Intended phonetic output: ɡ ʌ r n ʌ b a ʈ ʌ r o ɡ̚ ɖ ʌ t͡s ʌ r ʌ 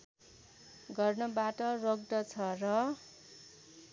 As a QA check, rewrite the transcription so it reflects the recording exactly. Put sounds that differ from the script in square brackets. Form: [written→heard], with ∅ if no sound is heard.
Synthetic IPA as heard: ɡ ʌ r n ʌ b a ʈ ʌ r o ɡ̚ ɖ ʌ [t͡s→t͡sʰ] ʌ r ʌ